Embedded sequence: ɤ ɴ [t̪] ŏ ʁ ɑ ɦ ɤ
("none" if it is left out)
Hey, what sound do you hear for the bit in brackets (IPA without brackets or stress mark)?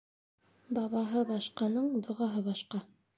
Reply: d̪